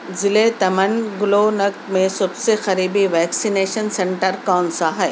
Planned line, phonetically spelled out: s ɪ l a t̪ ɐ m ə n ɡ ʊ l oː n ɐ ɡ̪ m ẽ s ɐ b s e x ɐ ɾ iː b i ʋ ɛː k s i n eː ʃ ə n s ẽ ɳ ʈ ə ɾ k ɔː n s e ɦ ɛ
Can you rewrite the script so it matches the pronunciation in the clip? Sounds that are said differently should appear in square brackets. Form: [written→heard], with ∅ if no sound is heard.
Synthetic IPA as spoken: [s→z] ɪ l [a→e] t̪ ɐ m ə n ɡ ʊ l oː n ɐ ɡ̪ m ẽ s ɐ b s e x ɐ ɾ iː b i ʋ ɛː k s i n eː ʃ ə n s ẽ ɳ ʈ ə ɾ k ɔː n s [e→a] ɦ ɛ